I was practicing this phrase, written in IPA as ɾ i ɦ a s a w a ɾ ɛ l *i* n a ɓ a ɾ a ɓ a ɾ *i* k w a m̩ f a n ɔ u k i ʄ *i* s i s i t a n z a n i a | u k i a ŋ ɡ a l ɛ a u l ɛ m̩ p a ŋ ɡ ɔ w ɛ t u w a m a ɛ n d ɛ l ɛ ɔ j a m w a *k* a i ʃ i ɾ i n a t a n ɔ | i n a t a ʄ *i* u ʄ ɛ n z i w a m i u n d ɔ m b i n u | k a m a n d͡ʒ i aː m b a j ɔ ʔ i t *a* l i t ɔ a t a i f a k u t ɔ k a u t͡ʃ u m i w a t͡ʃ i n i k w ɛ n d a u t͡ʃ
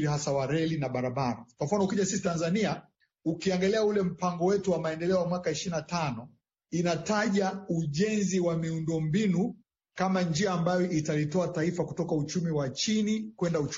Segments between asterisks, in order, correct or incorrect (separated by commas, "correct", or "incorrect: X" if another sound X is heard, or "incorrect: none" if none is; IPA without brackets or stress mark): correct, incorrect: a, incorrect: a, correct, incorrect: a, correct